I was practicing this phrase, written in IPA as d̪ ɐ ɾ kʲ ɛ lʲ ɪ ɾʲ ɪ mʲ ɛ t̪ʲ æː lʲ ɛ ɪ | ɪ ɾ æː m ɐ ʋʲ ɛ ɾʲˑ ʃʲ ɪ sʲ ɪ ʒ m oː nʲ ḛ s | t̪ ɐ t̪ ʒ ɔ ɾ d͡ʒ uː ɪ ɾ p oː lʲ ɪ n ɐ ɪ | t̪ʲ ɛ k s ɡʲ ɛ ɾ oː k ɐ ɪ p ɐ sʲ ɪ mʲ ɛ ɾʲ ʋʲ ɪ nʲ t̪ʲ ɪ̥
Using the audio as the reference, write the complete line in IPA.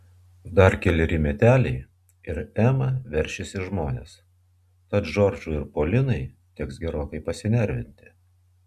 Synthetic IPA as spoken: d̪ ɐ ɾ kʲ ɛ lʲ ɪ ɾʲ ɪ mʲ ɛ t̪ʲ æː lʲ ɛ ɪ | ɪ ɾ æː m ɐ ʋʲ ɛ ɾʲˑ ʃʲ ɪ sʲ ɪ ʒ m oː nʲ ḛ s | t̪ ɐ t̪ ʒ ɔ ɾ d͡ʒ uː ɪ ɾ p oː lʲ ɪ n ɐ ɪ | t̪ʲ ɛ k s ɡʲ ɛ ɾ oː k ɐ ɪ p ɐ sʲ ɪ nʲ ɛ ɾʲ ʋʲ ɪ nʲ t̪ʲ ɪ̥